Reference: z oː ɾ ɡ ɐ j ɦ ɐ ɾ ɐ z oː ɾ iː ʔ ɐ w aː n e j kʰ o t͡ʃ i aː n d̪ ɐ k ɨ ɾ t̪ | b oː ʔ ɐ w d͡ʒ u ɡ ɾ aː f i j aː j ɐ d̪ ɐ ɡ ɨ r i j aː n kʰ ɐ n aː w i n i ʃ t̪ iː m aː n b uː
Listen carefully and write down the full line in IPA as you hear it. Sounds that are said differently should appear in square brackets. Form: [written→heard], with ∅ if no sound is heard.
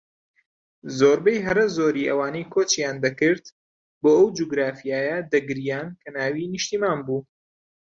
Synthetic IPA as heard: z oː ɾ [ɡ→b] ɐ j ɦ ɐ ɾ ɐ z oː ɾ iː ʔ ɐ w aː n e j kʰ o t͡ʃ [i→j] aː n d̪ ɐ k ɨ ɾ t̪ | b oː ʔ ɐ w d͡ʒ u ɡ ɾ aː f i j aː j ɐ d̪ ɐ ɡ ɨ [r→ɾ] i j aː n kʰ ɐ n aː w i n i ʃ t̪ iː m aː n b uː